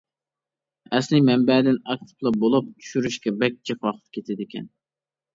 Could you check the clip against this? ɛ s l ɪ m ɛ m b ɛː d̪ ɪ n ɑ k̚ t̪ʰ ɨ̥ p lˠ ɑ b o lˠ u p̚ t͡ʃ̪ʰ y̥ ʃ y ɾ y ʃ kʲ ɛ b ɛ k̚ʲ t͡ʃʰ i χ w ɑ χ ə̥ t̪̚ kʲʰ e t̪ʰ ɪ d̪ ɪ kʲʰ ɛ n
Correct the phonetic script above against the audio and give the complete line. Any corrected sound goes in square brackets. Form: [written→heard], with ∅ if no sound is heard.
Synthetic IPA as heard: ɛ s l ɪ m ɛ m b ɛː d̪ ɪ n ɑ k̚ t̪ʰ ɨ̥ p lˠ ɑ b o lˠ u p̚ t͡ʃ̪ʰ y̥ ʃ y ɾ y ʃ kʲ ɛ b ɛ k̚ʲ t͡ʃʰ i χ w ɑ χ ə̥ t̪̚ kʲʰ e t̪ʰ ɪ d̪ ɪ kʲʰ ɛ n